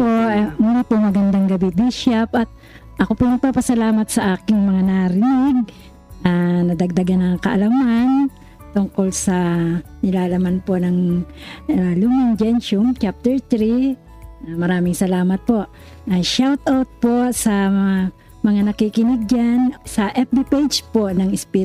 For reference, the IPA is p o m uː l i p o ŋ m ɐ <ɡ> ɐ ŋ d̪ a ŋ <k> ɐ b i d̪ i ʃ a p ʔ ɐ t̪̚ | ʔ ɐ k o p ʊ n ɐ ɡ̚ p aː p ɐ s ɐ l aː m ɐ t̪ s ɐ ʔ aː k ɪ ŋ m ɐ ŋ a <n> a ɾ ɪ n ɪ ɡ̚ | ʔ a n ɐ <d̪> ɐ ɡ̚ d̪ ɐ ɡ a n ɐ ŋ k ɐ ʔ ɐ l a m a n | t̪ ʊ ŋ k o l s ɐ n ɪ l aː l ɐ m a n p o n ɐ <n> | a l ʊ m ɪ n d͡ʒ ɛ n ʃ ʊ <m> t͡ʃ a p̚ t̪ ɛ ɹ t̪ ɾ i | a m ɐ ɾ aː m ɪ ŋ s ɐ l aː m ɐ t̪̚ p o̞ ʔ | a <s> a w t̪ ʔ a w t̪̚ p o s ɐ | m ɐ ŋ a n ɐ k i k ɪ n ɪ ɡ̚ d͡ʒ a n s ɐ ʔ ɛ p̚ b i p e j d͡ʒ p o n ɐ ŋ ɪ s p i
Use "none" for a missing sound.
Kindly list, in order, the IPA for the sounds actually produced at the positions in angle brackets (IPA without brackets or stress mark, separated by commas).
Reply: ɡ, ɡ, n, d̪, ŋ, m, ʃ